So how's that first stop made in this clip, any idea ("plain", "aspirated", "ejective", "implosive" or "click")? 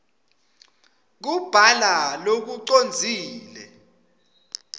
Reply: plain